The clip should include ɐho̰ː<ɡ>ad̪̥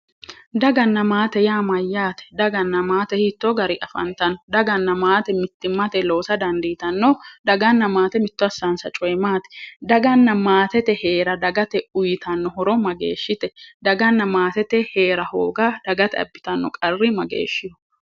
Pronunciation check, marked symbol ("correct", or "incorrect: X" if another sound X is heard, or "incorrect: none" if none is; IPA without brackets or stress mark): correct